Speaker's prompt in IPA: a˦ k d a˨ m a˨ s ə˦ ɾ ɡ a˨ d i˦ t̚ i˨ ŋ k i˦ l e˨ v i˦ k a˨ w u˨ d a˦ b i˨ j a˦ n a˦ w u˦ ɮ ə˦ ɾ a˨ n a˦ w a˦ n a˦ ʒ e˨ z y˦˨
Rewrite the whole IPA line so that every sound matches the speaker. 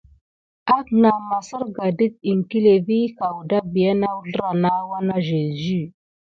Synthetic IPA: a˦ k n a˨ m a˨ s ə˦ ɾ ɡ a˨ d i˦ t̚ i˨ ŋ k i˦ l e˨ v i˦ k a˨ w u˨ d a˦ b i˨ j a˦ n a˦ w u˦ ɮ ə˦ ɾ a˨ n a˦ w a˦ n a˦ ʒ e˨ z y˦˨